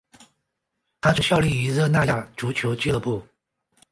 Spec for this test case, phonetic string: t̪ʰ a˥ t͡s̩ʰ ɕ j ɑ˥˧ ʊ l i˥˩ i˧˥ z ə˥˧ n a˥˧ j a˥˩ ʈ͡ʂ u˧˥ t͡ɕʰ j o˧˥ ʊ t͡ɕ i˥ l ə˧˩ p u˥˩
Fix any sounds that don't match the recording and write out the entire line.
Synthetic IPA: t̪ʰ a˥ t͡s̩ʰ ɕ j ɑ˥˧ ʊ l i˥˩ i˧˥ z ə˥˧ n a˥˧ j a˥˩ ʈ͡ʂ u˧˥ t͡ɕʰ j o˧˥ ʊ t͡ɕ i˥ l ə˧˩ p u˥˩